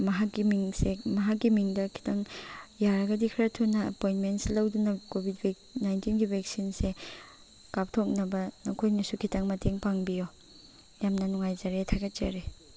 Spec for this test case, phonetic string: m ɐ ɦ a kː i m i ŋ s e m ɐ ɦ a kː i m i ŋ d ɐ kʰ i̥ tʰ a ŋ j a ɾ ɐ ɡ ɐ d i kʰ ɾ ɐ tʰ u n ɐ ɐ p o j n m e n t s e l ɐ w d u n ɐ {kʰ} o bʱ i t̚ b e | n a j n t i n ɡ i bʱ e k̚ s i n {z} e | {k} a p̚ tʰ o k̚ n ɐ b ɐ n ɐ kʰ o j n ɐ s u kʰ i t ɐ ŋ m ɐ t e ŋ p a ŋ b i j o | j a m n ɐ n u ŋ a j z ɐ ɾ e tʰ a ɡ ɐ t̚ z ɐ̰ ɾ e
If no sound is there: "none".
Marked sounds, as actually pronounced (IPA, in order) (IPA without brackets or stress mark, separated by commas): k, s, k